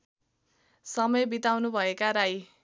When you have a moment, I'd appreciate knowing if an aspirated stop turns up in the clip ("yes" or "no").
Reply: no